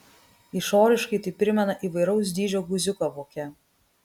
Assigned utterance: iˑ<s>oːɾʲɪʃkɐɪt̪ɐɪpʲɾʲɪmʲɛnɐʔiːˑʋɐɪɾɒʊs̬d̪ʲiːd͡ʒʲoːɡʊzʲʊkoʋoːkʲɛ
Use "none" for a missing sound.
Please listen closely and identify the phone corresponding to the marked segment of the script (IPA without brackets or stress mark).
ʃ